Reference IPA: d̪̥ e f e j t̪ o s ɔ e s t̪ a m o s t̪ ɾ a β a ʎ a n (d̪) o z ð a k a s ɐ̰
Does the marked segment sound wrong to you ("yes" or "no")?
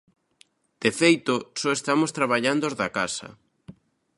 no